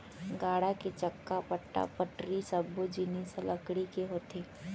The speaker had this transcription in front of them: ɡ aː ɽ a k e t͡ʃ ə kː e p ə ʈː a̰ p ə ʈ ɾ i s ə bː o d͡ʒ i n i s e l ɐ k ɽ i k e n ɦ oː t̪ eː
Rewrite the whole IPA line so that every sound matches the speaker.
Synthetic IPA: ɡ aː ɽ a k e t͡ʃ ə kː a p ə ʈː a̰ p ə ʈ ɾ i s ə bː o d͡ʒ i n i s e l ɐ k ɽ i k e ɦ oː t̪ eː